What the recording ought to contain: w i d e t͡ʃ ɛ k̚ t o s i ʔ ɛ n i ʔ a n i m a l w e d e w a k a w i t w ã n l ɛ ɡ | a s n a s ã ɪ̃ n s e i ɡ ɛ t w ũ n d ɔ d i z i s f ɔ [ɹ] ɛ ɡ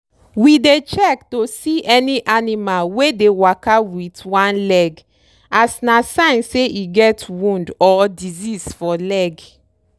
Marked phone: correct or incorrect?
incorrect: l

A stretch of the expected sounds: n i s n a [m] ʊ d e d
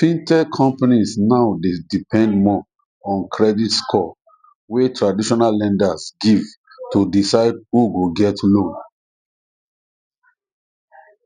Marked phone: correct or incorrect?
incorrect: none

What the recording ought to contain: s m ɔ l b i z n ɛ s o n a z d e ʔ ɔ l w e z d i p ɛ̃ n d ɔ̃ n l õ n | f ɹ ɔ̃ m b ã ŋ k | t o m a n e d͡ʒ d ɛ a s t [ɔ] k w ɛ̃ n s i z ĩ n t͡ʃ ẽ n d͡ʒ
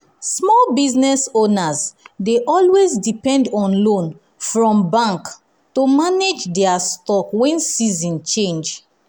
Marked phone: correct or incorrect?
correct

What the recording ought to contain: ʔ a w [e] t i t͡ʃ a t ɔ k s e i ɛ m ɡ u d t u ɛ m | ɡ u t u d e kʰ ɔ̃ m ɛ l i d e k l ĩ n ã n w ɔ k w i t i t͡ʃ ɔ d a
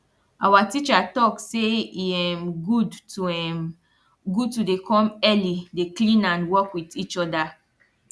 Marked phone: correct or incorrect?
incorrect: a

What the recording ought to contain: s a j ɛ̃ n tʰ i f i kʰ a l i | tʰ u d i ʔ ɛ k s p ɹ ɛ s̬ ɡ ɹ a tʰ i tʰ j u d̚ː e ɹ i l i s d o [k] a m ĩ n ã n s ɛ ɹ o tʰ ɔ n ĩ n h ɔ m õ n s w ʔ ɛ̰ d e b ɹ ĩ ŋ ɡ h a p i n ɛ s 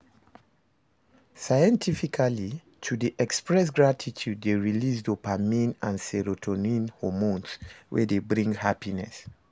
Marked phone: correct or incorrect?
incorrect: p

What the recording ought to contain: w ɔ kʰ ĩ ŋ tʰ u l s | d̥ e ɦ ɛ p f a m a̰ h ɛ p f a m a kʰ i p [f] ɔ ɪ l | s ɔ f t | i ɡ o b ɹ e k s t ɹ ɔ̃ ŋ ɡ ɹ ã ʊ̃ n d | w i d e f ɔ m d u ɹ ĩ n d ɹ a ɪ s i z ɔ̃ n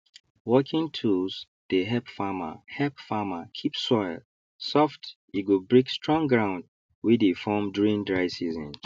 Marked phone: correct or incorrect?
incorrect: s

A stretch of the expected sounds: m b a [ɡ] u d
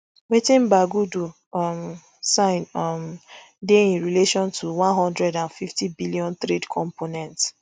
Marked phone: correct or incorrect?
correct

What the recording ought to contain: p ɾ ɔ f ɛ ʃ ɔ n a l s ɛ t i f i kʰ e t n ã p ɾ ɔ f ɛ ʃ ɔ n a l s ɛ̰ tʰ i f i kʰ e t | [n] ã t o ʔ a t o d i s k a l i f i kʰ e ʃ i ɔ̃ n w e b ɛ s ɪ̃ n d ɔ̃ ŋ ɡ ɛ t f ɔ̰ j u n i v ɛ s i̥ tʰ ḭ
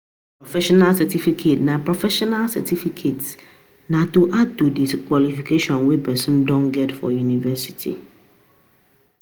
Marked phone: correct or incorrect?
correct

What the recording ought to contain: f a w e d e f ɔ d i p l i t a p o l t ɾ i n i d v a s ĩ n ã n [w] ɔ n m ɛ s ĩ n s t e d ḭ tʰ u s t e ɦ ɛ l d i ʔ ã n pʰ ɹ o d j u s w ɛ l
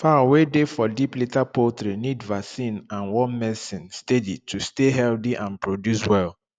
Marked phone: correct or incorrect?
correct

